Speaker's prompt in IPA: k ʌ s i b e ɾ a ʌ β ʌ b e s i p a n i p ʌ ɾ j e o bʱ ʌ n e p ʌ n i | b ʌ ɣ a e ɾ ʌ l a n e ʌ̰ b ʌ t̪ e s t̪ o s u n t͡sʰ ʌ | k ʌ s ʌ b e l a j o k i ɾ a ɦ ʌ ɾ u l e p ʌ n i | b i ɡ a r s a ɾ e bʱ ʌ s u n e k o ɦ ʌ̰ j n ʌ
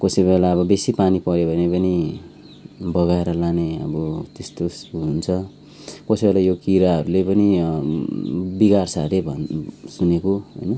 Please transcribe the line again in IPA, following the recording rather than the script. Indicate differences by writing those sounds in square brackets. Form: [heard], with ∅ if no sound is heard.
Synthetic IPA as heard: k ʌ s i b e [l] a ʌ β ʌ b e s i p a n i p ʌ ɾ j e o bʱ ʌ n e p ʌ n i | b ʌ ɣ a e ɾ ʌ l a n e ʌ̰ b ʌ t̪ e s t̪ o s u n t͡sʰ ʌ | k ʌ s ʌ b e l a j o k i ɾ a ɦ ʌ ɾ u l e p ʌ n i | b i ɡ a r s a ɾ e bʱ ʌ s u n e k o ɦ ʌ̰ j n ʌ